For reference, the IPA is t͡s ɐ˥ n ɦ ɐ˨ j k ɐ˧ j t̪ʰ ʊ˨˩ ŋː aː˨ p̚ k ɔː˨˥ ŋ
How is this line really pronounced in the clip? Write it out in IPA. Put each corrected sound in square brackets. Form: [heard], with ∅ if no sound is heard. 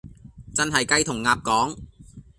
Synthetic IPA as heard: t͡s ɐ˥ n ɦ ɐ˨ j k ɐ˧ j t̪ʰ ʊ˨˩ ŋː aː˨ p̚ k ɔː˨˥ ŋ